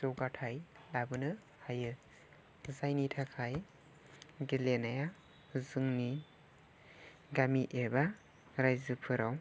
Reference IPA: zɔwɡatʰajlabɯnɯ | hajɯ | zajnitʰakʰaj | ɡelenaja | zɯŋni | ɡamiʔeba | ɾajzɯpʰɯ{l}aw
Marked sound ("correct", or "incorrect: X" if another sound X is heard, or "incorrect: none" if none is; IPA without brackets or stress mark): incorrect: ɾ